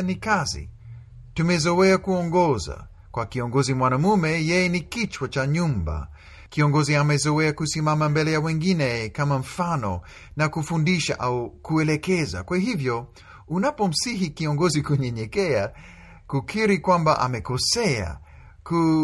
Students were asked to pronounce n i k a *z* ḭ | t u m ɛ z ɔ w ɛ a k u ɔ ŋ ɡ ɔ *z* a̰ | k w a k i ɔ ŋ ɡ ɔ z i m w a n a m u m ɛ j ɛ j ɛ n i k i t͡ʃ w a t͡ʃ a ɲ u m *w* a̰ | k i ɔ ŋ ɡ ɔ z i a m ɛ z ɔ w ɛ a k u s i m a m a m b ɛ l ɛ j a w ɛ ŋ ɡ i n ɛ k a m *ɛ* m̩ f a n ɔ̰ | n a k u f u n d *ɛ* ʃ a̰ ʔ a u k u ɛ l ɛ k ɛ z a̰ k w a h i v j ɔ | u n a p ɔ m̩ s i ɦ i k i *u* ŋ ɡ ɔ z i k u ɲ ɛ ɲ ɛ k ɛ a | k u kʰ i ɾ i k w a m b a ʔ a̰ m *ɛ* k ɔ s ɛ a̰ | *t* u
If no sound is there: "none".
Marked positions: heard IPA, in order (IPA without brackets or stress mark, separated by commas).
z, z, b, a, i, ɔ, ɛ, k